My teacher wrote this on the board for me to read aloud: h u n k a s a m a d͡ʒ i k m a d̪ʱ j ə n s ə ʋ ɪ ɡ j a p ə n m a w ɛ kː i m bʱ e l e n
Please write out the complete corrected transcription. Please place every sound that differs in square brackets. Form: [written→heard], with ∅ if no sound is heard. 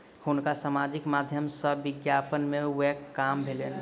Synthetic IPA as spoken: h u n k a s a m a d͡ʒ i k m a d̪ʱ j ə [n→m] s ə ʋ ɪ ɡ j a p ə n m [a→e] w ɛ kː [i→a] m bʱ e l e n